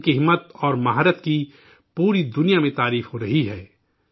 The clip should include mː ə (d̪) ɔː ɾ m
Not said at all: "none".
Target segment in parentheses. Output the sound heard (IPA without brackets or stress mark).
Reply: t̪